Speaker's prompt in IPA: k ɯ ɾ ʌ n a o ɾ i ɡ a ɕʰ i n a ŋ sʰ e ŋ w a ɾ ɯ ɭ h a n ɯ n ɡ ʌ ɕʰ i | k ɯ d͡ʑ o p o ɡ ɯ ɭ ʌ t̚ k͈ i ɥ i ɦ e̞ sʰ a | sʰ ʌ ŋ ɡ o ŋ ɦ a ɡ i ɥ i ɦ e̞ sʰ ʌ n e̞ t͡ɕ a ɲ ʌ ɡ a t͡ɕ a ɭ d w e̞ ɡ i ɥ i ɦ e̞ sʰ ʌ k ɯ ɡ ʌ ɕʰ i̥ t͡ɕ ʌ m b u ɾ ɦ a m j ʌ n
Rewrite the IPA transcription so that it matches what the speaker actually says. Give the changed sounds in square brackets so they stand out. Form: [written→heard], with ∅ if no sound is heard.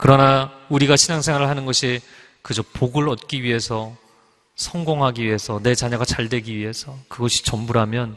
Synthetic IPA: k ɯ ɾ ʌ n a [o→u] ɾ i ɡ a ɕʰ i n a ŋ sʰ e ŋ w a ɾ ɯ ɭ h a n ɯ n ɡ ʌ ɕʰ i | k ɯ d͡ʑ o p o ɡ ɯ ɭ ʌ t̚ k͈ i ɥ i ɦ e̞ sʰ [a→ʌ] | sʰ ʌ ŋ ɡ o ŋ ɦ a ɡ i ɥ i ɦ e̞ sʰ ʌ n e̞ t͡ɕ a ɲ ʌ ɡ a t͡ɕ a ɭ d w e̞ ɡ i ɥ i ɦ e̞ sʰ ʌ k ɯ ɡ ʌ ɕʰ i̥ t͡ɕ ʌ m b u ɾ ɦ a m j ʌ n